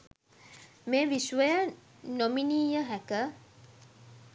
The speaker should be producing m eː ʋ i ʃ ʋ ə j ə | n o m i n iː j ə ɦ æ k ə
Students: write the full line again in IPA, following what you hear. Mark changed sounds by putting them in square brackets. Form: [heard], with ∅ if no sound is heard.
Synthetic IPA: m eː ʋ i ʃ ʋ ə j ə | n o m i n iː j ə ɦ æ k ə